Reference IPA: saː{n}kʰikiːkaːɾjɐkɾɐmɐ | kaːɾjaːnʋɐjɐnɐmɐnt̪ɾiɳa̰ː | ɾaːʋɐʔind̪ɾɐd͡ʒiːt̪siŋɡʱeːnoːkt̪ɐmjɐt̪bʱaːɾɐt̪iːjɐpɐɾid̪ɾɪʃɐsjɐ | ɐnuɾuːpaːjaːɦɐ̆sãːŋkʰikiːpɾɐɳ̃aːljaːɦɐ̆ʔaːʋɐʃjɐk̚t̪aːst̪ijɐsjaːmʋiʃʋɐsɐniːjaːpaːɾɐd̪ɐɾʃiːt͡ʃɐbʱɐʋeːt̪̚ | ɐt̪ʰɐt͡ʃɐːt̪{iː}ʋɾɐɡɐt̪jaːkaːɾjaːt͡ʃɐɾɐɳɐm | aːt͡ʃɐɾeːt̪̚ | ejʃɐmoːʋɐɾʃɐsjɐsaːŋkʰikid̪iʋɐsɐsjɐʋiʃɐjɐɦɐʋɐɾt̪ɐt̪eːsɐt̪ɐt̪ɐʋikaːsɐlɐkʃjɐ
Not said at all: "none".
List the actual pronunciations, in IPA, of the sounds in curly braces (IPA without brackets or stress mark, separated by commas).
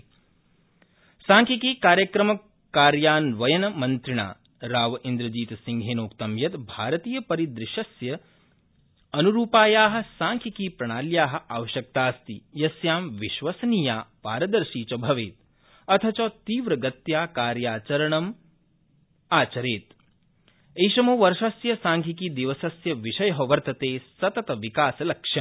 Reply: ŋ, iː